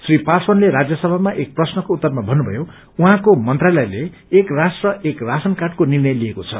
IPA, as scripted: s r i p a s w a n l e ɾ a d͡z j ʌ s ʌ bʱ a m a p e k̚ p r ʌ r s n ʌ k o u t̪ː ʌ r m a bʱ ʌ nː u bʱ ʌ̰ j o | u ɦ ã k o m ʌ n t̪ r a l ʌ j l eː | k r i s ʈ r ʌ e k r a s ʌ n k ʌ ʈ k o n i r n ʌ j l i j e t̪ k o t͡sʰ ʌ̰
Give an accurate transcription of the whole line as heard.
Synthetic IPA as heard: s r i p a s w ʌ n l e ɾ a d͡z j ʌ s ʌ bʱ a m a ʔ e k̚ p r ʌ s n ʌ k o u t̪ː ʌ r m a bʱ ʌ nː u bʱ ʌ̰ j o | u ɦ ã k o m ʌ n t̪ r a l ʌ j l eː | k r a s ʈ r ʌ e k r a s ʌ n k a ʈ k o n i r n ʌ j l i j e k o t͡sʰ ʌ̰

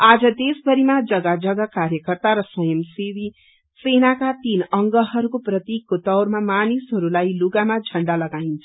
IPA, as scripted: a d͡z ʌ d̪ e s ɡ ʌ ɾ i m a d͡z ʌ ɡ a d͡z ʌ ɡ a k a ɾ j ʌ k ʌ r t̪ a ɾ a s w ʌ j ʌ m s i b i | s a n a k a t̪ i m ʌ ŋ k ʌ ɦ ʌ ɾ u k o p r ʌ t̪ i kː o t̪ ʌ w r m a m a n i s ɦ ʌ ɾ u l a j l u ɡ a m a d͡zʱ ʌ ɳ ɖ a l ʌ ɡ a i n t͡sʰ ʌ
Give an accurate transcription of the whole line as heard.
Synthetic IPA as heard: a d͡z ʌ d̪ e s b ʌ ɾ i m a d͡z ʌ ɡ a d͡z ʌ ɡ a k a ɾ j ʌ k ʌ r t̪ a ɾ ʌ s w ʌ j ʌ m s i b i | s e n a k a t̪ i n ʌ ŋ ɡ ʌ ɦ ʌ ɾ u k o p r ʌ t̪ i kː o t̪ ʌ w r m a m a n i s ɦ ʌ ɾ u l a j l u ɡ a m a d͡zʱ ʌ ɳ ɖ a l ʌ ɡ a i n t͡sʰ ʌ

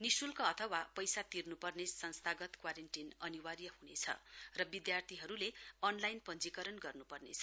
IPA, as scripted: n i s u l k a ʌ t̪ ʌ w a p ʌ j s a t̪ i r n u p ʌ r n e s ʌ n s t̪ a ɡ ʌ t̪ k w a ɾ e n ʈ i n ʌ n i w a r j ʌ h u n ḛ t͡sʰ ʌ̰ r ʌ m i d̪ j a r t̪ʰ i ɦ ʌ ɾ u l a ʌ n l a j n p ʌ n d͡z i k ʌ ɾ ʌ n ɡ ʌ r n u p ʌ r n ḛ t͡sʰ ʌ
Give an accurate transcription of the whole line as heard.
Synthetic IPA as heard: n i s u l k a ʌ t̪ʰ ʌ w a p ʌ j s a t̪ i r n u p ʌ r n e s ʌ n s t̪ʰ a ɡ ʌ t̪ k w a ɾ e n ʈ i n ʌ n i w a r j ʌ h u n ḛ t͡sʰ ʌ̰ r ʌ b i d̪ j a r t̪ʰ i ɦ ʌ ɾ u l e ʌ n l a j n p ʌ n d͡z i k ʌ ɾ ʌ n ɡ ʌ r n u p ʌ r n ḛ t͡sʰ ʌ

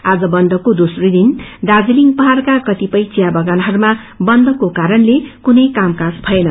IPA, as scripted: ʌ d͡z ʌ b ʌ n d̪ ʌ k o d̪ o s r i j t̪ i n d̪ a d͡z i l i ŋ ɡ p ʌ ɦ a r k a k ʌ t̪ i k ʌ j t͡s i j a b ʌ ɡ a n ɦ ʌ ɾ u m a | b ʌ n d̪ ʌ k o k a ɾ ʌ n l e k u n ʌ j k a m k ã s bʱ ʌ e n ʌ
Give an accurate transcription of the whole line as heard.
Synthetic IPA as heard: a d͡z ʌ b ʌ n d̪ ʌ k o d̪ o s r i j d̪ i n d̪ a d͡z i l i ŋ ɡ p ʌ ɦ a r k a k ʌ t̪ i p ʌ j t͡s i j a b ʌ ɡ a n ɦ ʌ ɾ u m a | b ʌ n d̪ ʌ k o k a ɾ ʌ n l e k u n ʌ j k a m k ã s bʱ ʌ e n ʌ

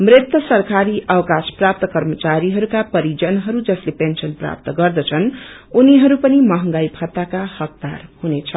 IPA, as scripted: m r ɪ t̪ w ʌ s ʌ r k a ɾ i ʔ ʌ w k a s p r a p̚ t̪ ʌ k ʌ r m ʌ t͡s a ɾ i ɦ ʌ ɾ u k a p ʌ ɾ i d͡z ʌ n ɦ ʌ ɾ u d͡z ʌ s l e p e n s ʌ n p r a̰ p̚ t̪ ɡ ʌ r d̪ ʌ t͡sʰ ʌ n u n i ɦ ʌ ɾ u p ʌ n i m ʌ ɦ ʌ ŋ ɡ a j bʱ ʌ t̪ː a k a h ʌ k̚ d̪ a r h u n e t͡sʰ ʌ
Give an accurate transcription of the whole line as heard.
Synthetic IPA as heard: m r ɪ t̪ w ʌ s ʌ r k a ɾ i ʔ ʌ w k a s p r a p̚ t̪ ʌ k ʌ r m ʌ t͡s a ɾ i ɦ ʌ ɾ u k a p ʌ ɾ i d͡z ʌ n ɦ ʌ ɾ u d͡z ʌ s l e p e n s ʌ n p r a̰ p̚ t̪ ɡ ʌ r d̪ ʌ t͡sʰ ʌ n u n i ɦ ʌ ɾ u p ʌ n i m ʌ ɦ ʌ ŋ ɡ a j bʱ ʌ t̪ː a k a h ʌ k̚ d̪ a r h u n e t͡sʰ ʌ

